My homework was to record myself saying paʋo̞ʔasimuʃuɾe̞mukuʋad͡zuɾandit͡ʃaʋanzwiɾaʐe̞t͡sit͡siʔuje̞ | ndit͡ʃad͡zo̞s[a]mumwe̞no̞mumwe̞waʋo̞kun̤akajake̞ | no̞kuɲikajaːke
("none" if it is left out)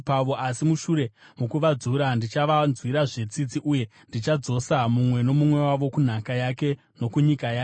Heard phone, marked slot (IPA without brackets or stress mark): a